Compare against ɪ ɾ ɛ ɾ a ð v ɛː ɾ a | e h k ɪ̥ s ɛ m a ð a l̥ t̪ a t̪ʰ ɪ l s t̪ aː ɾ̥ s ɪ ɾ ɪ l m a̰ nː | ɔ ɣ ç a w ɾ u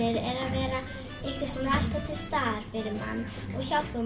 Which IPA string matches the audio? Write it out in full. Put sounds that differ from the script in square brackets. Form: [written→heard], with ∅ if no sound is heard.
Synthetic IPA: ɪ ɾ ɛ ɾ a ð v ɛː ɾ a | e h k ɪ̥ s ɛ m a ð a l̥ t̪ a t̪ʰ ɪ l s t̪ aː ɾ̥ [s→f] ɪ ɾ ɪ [l→ɾ] m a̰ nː | ɔ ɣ ç a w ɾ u

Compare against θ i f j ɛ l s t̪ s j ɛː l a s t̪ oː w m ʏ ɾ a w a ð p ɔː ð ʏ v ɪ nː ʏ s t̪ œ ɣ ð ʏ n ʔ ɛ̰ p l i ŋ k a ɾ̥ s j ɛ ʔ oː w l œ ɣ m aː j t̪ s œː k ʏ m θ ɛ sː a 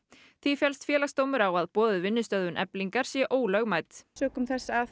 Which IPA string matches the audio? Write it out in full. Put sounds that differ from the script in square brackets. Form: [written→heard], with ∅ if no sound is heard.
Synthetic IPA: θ i f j ɛ l s t̪ [s→f] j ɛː l a s t̪ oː w m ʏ ɾ a w a ð p ɔː ð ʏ v ɪ nː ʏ s t̪ œ [ɣ→ð] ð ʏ n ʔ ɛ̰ p l i ŋ k a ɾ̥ s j ɛ ʔ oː w l œ ɣ m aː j t̪ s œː k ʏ m θ ɛ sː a

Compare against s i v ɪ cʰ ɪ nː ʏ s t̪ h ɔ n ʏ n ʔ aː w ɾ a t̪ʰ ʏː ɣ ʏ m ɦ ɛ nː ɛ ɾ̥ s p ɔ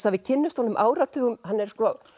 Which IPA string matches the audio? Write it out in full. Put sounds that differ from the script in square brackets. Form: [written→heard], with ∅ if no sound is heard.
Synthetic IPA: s [i→a] v ɪ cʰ ɪ nː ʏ s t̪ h ɔ n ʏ [n→m] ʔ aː w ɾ a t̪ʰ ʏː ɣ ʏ m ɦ [ɛ→a] nː ɛ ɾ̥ s [p→k] ɔ

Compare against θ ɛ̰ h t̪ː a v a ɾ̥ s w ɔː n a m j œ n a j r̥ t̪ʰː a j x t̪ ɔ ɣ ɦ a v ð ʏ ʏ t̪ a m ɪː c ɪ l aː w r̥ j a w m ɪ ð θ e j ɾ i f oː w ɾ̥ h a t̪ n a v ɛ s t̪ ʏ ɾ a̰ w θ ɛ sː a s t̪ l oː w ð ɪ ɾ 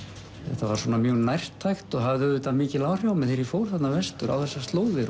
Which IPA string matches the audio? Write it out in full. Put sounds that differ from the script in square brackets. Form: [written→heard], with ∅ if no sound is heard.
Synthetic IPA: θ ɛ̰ h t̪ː a v a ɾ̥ s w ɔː n a m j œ n a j r̥ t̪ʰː a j x t̪ ɔ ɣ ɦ a v ð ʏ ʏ t̪ a m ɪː c ɪ l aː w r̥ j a w m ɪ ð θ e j ɾ i f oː w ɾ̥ [h→θ] a t̪ n a v ɛ s t̪ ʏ ɾ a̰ w θ ɛ sː a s t̪ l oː w ð ɪ ɾ

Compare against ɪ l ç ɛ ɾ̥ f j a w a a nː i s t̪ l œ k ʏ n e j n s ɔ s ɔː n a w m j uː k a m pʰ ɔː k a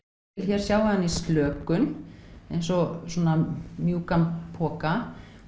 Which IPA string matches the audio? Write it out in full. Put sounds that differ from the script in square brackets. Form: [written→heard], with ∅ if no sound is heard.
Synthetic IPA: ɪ l ç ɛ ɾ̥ [f→s] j a w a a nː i s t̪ l [œ→œː] k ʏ n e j n s ɔ s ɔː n a [w→∅] m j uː k a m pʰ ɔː k a

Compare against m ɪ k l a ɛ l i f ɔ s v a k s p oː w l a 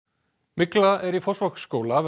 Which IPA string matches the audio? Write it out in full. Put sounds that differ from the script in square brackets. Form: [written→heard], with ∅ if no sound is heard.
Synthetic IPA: m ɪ k l a ɛ [l→ɾ] i f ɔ s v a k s [p→k] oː w l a

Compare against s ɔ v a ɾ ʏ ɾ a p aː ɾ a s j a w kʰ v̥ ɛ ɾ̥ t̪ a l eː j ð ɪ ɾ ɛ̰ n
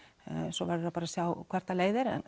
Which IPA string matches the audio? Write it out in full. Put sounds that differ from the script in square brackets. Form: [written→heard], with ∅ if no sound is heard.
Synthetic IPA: s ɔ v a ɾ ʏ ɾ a p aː ɾ a s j a w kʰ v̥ ɛ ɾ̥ t̪ a l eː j ð ɪ ɾ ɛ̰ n

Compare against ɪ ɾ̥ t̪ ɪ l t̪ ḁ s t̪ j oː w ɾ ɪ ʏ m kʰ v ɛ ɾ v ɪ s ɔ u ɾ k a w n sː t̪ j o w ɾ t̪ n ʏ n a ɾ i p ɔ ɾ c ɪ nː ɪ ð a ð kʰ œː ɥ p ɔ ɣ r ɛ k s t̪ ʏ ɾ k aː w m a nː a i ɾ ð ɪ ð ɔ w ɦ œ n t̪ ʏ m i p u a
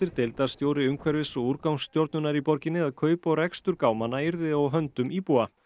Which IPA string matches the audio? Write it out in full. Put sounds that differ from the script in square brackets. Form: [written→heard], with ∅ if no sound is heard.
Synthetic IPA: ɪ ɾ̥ t̪ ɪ l t̪ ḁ s t̪ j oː w ɾ ɪ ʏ m kʰ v ɛ ɾ v ɪ s ɔ u ɾ k a w n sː t̪ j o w ɾ t̪ n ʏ n a ɾ i p ɔ ɾ c ɪ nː ɪ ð a ð kʰ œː ɥ p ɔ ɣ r ɛ k s t̪ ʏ ɾ k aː w m a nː a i ɾ ð ɪ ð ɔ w ɦ œ n t̪ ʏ m i p u a

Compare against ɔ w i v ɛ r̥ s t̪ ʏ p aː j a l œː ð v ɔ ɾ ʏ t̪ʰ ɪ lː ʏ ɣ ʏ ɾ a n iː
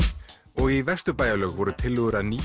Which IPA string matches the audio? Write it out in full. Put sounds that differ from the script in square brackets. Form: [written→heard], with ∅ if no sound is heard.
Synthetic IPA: ɔ [w→ɣ] i v ɛ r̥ s t̪ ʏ p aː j a l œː [ð→ɣ] v ɔ ɾ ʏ t̪ʰ ɪ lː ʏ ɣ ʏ ɾ a n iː

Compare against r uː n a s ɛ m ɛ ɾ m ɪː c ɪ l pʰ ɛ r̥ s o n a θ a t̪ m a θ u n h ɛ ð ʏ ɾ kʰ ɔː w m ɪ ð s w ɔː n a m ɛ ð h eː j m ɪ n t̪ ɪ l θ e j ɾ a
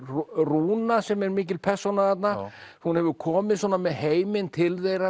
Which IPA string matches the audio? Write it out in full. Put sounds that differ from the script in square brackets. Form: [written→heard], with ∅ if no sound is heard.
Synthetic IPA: r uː n a s ɛ m ɛ ɾ m ɪː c ɪ l pʰ ɛ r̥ s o n a θ a t̪ [m→n] a [θ→h] u n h ɛ [ð→v] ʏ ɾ kʰ ɔː [w→∅] m ɪ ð s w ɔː n a m ɛ ð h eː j m ɪ n [t̪→t̪ʰ] ɪ l θ e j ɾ a

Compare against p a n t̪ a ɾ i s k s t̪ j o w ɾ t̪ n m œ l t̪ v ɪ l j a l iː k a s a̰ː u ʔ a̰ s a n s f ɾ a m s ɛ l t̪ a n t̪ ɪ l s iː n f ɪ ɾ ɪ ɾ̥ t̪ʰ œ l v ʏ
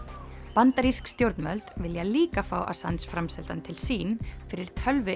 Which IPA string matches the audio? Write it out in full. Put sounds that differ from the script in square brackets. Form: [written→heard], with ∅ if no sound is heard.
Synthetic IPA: p a n t̪ a ɾ i s k s t̪ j o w ɾ t̪ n m œ l t̪ v ɪ l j a l iː k a [s→f] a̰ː [u→w] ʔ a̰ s a n s f ɾ a m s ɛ l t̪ a n [t̪→t̪ʰ] ɪ l s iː n f ɪ ɾ ɪ ɾ̥ t̪ʰ œ l v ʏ

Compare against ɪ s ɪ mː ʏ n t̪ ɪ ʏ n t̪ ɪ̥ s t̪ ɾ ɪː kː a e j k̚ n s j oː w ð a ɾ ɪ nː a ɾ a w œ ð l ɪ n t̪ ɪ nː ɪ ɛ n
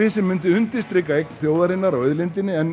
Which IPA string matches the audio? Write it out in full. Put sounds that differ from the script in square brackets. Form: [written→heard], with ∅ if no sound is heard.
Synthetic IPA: ɪ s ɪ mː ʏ n t̪ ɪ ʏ n t̪ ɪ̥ s t̪ ɾ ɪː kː a e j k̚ n [s→θ] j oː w ð a ɾ ɪ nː a ɾ a w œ ð l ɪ n t̪ ɪ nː ɪ ɛ n

